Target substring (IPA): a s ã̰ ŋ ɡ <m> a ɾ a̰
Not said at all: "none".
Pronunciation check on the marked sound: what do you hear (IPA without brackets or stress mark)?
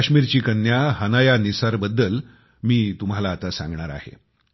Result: ɳ